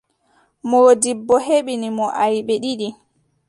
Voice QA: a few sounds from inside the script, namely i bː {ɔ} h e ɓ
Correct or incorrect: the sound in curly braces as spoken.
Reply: correct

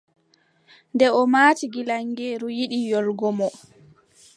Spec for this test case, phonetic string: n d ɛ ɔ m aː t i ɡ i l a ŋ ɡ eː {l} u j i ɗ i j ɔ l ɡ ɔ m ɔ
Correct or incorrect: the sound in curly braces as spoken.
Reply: incorrect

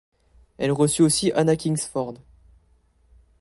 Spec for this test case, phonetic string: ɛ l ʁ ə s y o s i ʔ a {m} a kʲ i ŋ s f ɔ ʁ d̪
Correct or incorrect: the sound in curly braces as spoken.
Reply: incorrect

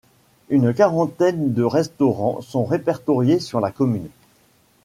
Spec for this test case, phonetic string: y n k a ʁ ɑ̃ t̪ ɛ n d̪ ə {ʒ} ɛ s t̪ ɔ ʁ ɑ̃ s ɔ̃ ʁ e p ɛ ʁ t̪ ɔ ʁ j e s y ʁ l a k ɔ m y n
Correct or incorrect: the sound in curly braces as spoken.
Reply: incorrect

